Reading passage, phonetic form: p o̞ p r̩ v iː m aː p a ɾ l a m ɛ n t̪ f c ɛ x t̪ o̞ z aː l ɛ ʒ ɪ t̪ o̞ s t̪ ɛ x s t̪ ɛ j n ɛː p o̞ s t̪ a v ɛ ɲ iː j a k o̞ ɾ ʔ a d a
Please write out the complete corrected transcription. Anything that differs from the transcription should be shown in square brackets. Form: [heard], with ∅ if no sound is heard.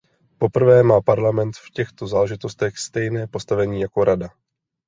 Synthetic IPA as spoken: p o̞ p r̩ v [ɛː] m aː p a ɾ l a m ɛ n t̪ f c ɛ x t̪ o̞ z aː l ɛ ʒ ɪ t̪ o̞ s t̪ ɛ x s t̪ ɛ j n ɛː p o̞ s t̪ a v ɛ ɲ iː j a k o̞ ɾ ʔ a d a